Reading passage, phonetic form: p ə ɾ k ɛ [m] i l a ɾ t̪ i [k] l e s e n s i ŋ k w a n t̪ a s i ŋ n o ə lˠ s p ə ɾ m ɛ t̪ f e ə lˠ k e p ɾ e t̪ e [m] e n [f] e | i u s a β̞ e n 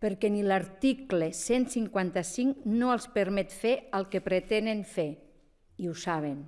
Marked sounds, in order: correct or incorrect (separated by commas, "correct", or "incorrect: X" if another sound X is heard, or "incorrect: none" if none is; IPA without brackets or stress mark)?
incorrect: n, correct, incorrect: n, correct